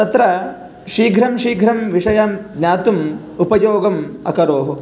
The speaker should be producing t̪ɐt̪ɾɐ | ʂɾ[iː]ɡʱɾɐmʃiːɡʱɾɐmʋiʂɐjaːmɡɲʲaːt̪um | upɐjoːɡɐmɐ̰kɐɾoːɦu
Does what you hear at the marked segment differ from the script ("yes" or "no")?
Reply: no